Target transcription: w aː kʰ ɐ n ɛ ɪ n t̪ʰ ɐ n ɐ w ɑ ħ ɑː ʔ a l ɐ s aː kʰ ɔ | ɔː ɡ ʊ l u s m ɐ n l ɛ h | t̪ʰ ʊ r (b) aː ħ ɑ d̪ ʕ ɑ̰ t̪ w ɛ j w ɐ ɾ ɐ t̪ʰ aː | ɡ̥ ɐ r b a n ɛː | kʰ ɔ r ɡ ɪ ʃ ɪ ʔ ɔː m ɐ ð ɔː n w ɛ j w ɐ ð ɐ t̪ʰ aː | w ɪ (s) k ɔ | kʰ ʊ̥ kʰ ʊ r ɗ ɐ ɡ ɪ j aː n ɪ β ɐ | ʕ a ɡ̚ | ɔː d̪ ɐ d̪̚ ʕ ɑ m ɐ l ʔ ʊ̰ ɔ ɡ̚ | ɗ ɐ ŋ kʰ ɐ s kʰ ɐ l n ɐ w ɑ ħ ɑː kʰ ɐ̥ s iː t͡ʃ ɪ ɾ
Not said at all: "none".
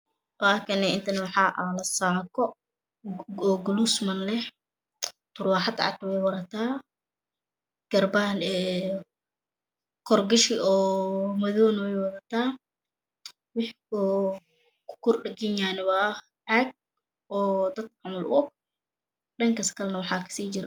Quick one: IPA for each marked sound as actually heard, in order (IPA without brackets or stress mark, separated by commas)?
w, ħ